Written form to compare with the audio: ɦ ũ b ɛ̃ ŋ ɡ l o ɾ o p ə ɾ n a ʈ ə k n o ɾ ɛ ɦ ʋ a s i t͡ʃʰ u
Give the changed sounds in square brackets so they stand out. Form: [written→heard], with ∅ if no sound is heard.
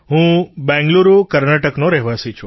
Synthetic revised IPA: ɦ ũ b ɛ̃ ŋ ɡ l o ɾ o [p→k] ə ɾ n a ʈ ə k n o ɾ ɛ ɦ ʋ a s i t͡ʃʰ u